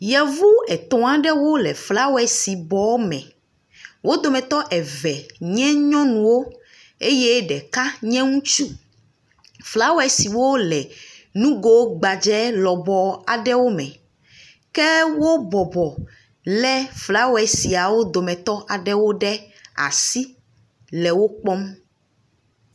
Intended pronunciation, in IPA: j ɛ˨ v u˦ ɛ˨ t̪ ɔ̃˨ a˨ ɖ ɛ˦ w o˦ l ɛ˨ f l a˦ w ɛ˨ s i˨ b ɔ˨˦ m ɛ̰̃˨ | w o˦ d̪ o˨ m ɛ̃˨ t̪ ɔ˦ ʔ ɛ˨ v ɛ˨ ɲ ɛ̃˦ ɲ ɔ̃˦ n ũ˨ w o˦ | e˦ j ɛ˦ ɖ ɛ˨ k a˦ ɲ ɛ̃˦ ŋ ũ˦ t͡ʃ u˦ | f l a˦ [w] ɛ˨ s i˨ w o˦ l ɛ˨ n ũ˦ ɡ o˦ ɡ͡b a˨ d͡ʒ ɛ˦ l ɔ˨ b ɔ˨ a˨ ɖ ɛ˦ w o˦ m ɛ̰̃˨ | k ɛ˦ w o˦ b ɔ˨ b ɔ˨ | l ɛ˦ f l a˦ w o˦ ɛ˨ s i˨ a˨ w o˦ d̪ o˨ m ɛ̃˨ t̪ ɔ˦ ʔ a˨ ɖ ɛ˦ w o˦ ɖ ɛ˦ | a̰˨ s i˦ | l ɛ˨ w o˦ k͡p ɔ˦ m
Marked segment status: correct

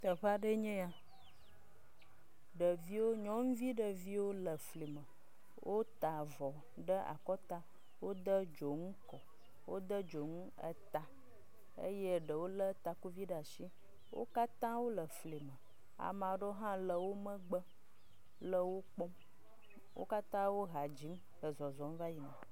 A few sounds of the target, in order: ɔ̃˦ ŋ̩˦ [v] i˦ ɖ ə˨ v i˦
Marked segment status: correct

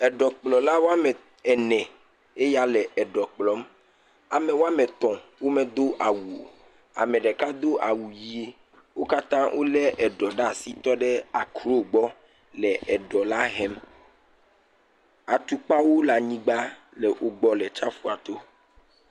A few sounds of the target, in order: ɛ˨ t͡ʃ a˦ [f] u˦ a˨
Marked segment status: correct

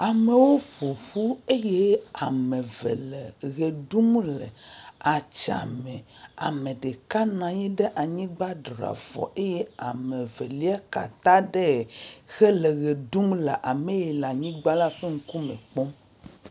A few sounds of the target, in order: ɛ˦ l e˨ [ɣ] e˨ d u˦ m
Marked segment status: correct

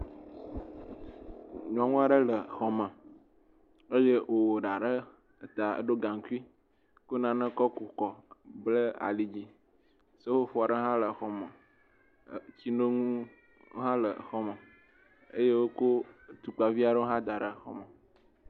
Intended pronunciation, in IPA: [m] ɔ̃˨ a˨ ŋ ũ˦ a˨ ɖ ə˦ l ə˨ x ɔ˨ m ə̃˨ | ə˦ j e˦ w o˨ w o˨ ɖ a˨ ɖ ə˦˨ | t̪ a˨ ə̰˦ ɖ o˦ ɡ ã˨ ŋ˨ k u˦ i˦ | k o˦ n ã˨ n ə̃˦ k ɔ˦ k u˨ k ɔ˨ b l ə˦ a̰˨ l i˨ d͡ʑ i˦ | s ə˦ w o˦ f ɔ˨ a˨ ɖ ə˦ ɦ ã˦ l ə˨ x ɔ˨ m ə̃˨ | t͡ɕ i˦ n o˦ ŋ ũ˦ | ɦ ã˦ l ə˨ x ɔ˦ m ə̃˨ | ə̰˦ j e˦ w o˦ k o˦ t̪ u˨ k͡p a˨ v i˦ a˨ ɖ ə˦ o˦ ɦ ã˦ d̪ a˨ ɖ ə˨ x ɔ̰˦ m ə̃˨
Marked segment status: incorrect: ɲ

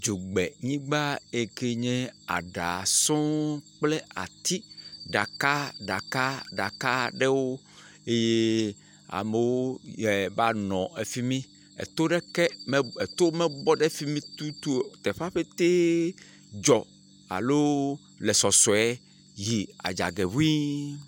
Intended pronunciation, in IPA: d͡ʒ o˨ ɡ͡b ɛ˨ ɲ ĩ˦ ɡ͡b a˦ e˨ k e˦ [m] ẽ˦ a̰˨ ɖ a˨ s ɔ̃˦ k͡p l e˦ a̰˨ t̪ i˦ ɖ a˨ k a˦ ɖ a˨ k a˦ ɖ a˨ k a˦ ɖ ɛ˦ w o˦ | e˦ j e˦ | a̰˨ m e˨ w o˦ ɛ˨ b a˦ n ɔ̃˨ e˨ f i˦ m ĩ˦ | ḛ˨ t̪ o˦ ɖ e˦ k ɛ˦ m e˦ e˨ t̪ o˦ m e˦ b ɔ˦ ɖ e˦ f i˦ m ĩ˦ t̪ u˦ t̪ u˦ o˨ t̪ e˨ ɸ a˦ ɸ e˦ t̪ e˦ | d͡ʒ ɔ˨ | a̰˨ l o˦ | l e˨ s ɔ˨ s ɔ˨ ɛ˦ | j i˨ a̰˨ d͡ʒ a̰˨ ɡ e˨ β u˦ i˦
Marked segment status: incorrect: ɲ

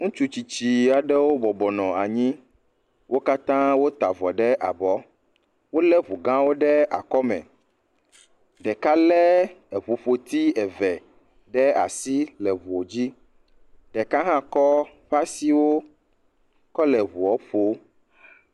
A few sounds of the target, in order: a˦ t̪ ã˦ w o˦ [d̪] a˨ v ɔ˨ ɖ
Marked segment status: incorrect: t̪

